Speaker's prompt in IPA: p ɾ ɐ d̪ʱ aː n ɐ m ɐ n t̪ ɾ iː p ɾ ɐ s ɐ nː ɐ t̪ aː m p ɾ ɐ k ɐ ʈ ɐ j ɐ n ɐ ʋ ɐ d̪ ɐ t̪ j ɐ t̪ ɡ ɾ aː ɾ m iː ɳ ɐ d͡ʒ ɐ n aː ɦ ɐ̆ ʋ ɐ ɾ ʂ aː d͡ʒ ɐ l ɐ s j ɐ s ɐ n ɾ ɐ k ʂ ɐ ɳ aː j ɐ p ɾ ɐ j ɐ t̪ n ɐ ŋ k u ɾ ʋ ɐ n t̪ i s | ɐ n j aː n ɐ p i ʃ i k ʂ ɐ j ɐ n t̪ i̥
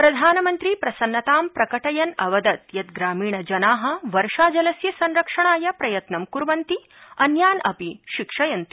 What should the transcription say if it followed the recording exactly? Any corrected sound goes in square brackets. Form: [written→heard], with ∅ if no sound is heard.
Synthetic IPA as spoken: p ɾ ɐ d̪ʱ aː n ɐ m ɐ n t̪ ɾ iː p ɾ ɐ s ɐ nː ɐ t̪ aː m p ɾ ɐ k ɐ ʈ ɐ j ɐ n ɐ ʋ ɐ d̪ ɐ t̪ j ɐ t̪ ɡ ɾ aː [ɾ→∅] m iː ɳ ɐ d͡ʒ ɐ n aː ɦ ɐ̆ ʋ ɐ ɾ ʂ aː d͡ʒ ɐ l ɐ s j ɐ s ɐ n ɾ ɐ k ʂ ɐ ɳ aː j ɐ p ɾ ɐ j ɐ t̪ n ɐ [ŋ→m] k u ɾ ʋ ɐ n t̪ i [s→∅] | ɐ n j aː n ɐ p i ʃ i k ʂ ɐ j ɐ n t̪ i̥